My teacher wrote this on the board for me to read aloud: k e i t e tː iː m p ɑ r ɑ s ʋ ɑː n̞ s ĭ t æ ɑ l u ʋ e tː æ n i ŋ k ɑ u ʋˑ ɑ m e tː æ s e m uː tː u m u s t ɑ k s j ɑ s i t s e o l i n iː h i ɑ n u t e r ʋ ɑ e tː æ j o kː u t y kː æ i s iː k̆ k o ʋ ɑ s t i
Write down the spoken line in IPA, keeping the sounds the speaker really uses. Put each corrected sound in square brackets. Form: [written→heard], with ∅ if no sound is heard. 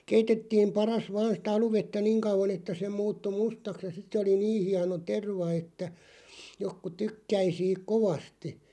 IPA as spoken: k e i t e tː iː m p ɑ r ɑ s ʋ ɑː n̞ s ĭ t æ ɑ l u ʋ e tː æ n i ŋ k ɑ u ʋˑ ɑ [m→n] e tː æ s e m uː tː u m u s t ɑ k s j ɑ s i t s e o l i n iː h i ɑ n [u→o] t e r ʋ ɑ e tː æ j o kː u t y kː æ i s iː k̆ k o ʋ ɑ s t i